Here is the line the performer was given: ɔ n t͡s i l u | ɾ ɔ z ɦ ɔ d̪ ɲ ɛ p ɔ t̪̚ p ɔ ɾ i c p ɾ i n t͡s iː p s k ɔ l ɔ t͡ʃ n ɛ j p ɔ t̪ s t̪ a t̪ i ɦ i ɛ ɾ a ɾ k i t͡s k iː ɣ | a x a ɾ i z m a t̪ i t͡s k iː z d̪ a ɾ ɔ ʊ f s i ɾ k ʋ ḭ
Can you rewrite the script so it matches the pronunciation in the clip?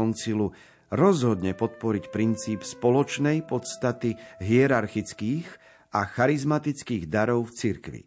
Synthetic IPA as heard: ɔ n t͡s i l u | ɾ ɔ z ɦ ɔ d̪ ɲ ɛ p ɔ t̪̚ p ɔ ɾ i c p ɾ i n t͡s iː p s p ɔ l ɔ t͡ʃ n ɛ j p ɔ t̪ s t̪ a t̪ i ɦ i ɛ ɾ a ɾ x i t͡s k iː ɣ | a x a ɾ i z m a t̪ i t͡s k iː ɣ d̪ a ɾ ɔ ʊ f t͡s i ɾ k ʋ ḭ